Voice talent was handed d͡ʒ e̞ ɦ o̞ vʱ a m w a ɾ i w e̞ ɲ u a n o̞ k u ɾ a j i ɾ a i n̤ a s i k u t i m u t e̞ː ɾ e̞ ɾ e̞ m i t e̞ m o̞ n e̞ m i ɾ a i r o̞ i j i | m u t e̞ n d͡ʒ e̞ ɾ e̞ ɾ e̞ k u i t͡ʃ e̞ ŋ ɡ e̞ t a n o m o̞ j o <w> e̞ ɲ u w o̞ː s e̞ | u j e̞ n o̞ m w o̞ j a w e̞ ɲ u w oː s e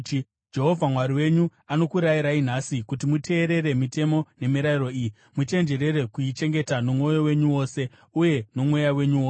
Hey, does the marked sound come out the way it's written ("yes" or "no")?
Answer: yes